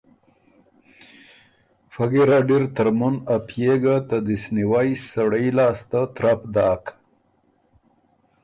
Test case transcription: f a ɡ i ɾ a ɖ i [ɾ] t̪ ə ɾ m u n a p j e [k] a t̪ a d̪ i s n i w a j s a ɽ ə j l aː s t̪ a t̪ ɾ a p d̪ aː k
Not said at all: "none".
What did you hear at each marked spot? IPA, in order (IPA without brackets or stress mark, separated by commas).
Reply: ɾ, ɡ